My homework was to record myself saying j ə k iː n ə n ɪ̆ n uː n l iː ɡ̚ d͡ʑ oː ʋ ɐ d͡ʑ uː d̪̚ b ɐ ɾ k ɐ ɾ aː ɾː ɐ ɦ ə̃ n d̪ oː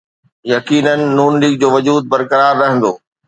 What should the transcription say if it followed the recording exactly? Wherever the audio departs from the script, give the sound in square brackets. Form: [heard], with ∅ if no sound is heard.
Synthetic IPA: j [ɐ] k iː n ə n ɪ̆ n uː n l iː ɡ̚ d͡ʑ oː ʋ ɐ d͡ʑ uː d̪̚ b ɐ ɾ k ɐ ɾ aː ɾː ɐ ɦ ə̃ n d̪ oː